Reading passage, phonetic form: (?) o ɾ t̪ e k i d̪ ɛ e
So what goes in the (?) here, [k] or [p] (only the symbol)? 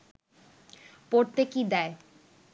p